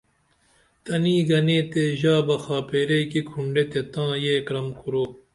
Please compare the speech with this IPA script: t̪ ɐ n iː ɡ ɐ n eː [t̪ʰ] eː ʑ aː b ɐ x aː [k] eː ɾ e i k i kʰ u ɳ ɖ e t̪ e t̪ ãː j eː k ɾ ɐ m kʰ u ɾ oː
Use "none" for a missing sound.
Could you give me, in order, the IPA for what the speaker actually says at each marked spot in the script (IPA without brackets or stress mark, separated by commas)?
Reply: t̪, p